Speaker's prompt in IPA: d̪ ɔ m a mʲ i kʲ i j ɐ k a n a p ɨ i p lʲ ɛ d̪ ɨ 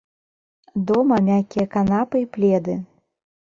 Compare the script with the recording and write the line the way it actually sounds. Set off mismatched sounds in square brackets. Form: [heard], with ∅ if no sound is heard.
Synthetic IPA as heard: d̪ ɔ m [ɐ] mʲ [a] kʲ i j ɐ k a n a p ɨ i p lʲ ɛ d̪ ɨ